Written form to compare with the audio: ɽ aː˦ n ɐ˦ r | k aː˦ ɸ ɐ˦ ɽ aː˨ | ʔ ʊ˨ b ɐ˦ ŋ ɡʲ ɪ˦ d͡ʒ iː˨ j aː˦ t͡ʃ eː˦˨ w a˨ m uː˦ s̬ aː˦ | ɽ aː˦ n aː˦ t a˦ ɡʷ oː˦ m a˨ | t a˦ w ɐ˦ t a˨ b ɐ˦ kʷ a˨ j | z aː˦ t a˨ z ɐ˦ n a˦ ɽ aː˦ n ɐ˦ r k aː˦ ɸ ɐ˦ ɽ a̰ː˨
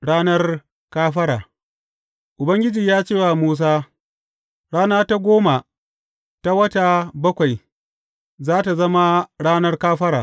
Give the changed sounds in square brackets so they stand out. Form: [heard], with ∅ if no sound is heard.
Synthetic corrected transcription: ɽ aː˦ n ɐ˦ r | k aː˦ ɸ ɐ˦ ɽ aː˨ | ʔ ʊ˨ b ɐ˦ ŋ ɡʲ ɪ˦ d͡ʒ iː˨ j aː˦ t͡ʃ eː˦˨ w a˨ m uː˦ s̬ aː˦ | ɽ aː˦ n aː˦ t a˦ ɡʷ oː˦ m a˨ | t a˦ w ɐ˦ t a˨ b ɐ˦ kʷ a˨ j | z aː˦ t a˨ z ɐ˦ [m] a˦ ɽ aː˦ n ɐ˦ r k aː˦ ɸ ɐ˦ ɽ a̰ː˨

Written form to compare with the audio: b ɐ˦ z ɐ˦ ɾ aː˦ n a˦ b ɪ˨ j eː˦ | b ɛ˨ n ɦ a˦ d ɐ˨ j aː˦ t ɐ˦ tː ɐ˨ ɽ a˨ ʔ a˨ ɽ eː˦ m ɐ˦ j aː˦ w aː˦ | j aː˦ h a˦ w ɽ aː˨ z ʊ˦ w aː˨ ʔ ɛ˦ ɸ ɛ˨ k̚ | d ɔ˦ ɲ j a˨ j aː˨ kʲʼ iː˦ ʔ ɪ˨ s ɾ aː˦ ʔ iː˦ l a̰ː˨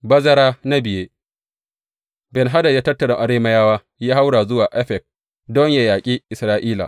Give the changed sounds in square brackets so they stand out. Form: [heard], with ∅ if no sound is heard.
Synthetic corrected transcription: b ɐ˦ z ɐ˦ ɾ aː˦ n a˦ b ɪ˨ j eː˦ | b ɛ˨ n ɦ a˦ d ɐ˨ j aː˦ t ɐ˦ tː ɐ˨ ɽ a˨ ʔ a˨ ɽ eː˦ m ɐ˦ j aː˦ w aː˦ | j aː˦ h a˦ w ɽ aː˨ z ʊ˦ w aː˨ ʔ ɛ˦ ɸ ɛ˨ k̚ | d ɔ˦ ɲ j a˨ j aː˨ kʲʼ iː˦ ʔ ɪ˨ s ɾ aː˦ ʔ iː˦ l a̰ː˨

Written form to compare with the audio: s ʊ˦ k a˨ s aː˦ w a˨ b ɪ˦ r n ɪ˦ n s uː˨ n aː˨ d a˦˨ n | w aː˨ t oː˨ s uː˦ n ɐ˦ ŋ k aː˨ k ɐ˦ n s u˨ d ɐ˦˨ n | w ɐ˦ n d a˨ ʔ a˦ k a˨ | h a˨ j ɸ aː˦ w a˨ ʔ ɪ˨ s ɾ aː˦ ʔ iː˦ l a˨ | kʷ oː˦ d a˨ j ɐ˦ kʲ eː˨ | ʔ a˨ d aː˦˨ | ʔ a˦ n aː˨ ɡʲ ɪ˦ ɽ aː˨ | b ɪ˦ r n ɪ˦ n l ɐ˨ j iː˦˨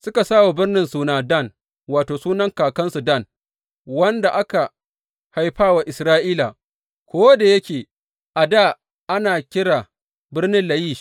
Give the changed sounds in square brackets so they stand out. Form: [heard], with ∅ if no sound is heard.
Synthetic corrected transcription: s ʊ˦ k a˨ s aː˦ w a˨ b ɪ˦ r n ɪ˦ n s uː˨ n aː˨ d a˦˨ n | w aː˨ t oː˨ s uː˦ n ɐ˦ ŋ k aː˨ k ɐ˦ n s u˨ d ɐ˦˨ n | w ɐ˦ n d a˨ ʔ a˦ k a˨ | h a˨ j ɸ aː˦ w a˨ ʔ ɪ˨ s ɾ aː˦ ʔ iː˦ l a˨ | kʷ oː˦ d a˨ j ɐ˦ kʲ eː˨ | ʔ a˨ d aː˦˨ | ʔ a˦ n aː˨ [kʲ] ɪ˦ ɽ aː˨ | b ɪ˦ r n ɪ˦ n l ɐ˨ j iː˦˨

